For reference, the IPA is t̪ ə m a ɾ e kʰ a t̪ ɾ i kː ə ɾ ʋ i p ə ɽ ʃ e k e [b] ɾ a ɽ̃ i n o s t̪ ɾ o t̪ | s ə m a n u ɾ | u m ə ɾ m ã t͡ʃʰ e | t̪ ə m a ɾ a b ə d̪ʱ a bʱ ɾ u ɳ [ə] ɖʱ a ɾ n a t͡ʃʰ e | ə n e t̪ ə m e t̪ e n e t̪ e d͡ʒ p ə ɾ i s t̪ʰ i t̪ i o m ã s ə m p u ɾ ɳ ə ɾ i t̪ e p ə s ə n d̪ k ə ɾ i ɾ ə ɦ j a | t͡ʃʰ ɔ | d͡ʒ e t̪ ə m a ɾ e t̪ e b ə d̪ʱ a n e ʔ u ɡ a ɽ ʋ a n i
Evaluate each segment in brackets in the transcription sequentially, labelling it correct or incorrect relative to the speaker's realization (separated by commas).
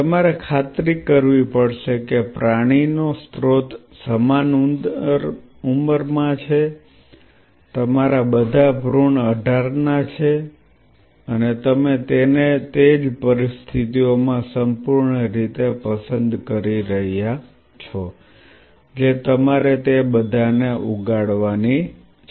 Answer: incorrect, correct